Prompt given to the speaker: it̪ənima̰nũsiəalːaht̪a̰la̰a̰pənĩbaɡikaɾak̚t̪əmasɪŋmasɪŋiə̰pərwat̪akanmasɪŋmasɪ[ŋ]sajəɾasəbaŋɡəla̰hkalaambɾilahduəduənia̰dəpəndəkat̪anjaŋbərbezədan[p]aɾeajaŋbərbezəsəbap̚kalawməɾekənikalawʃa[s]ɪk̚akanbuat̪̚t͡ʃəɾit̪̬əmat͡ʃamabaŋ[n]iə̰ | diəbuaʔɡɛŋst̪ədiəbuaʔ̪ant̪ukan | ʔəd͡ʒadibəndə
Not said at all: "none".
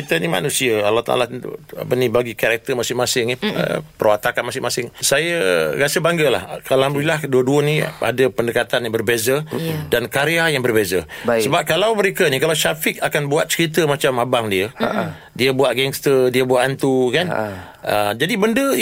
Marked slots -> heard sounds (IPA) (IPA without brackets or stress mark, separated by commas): ŋ, k, f, d